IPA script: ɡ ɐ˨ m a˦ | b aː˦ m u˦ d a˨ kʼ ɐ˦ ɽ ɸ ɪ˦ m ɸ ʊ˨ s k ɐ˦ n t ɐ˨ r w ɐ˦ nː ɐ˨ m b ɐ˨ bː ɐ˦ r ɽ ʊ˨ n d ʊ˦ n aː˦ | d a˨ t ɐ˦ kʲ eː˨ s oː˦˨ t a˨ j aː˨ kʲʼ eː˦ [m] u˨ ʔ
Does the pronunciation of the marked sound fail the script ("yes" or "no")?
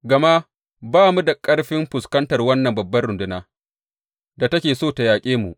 no